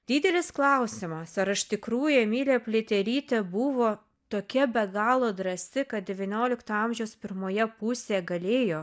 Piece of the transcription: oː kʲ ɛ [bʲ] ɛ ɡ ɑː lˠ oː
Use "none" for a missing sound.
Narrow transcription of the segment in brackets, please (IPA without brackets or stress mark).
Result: bʲ